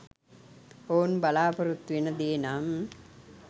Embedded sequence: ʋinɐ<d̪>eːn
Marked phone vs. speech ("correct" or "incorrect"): correct